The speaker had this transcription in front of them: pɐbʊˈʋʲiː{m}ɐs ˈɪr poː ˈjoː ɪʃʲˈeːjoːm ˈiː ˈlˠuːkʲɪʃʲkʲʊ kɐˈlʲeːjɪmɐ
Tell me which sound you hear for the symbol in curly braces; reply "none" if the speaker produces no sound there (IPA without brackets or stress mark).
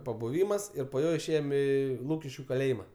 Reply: m